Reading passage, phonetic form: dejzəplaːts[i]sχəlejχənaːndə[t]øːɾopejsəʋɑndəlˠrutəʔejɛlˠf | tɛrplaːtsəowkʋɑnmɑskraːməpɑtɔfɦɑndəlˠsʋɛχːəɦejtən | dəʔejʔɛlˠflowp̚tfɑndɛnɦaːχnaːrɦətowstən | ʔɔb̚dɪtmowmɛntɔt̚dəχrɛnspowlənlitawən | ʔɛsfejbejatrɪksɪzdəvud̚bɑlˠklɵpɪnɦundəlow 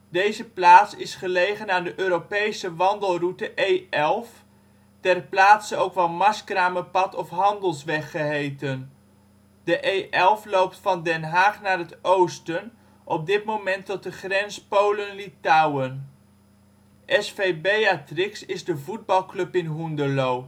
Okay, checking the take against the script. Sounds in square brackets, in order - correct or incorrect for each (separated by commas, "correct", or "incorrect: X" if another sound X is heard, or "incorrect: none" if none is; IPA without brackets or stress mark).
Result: incorrect: ɪ, incorrect: ʔ